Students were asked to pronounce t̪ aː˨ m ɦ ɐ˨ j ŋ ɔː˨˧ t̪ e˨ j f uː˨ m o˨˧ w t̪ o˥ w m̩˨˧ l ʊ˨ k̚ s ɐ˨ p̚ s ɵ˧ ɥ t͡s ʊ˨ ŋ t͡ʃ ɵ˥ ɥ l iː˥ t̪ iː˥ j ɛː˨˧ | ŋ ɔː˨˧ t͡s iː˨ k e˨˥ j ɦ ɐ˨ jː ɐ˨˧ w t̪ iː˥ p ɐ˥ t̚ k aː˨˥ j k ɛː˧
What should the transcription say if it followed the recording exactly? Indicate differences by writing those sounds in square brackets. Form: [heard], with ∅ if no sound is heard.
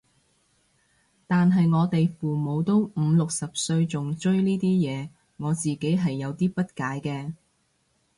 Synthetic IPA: t̪ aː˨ [n] ɦ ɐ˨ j ŋ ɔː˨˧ t̪ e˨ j f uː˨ m o˨˧ w t̪ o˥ w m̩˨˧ l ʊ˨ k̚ s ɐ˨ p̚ s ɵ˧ ɥ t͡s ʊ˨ ŋ t͡ʃ ɵ˥ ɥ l iː˥ t̪ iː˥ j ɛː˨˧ | ŋ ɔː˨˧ t͡s iː˨ k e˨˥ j ɦ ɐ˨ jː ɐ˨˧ w t̪ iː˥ p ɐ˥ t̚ k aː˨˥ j k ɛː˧